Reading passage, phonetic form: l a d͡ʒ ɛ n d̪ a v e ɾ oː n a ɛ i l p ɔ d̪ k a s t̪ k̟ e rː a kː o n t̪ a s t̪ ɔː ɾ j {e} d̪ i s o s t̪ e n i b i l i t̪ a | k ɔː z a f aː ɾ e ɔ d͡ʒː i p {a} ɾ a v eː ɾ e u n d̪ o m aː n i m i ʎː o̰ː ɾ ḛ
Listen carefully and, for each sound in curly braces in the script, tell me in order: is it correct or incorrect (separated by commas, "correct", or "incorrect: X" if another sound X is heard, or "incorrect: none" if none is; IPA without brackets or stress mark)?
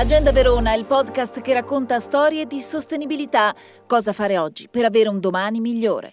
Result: correct, incorrect: e